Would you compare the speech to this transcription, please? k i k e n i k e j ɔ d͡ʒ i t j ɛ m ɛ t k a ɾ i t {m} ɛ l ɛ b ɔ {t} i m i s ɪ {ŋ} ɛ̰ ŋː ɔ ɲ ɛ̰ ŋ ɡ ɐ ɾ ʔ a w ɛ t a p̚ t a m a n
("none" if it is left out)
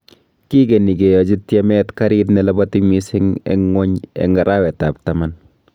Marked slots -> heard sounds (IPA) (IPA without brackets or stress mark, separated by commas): n, t, ŋ